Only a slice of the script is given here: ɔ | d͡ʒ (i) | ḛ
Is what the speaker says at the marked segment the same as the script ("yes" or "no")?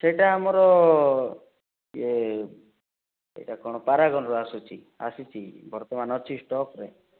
no